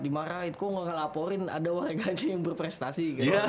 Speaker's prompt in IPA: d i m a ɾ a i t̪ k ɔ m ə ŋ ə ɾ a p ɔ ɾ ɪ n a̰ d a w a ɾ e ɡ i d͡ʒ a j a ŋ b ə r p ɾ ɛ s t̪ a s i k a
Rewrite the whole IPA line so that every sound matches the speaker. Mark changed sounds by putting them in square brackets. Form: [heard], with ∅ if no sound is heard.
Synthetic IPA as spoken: d i m a ɾ a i t̪ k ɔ [ŋ] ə ŋ ə [l] a p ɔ ɾ ɪ n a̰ d a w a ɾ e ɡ [a] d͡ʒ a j a ŋ b ə r p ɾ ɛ s t̪ a s i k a

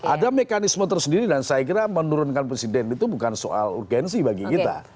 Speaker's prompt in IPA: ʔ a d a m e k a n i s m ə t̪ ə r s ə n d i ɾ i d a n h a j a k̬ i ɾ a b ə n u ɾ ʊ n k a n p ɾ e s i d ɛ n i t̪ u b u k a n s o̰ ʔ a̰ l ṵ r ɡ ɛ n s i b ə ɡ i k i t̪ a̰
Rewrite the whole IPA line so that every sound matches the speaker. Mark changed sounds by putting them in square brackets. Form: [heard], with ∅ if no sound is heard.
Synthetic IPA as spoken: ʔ a d a m e k a n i s m ə t̪ ə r s ə n d i ɾ i d a n [s] a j a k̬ i ɾ a [m] ə n u ɾ ʊ n k a n p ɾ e s i d ɛ n i t̪ u b u k a n s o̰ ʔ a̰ l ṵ r ɡ ɛ n s i b [a] ɡ i k i t̪ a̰

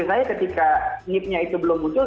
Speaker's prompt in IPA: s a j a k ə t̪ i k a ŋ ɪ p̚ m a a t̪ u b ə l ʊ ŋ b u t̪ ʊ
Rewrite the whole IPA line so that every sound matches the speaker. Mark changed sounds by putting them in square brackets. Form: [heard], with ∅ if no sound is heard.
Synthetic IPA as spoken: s a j a k ə t̪ i k a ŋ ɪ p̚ [ɲ] a [i] t̪ u b ə l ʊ [m] b u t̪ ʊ

